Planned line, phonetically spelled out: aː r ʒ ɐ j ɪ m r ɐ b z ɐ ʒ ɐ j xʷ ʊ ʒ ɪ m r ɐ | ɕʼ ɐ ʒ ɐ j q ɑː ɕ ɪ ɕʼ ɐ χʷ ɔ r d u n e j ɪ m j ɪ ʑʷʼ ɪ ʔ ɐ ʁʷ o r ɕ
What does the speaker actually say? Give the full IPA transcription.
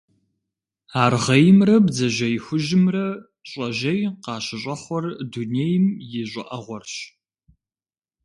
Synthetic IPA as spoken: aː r ʁ ɐ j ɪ m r ɐ b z ɐ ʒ ɐ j xʷ ʊ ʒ ɪ m r ɐ | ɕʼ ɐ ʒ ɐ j q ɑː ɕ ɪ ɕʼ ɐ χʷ ɔ r d u n e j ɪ m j ɪ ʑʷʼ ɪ ʔ ɐ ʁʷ ɔ r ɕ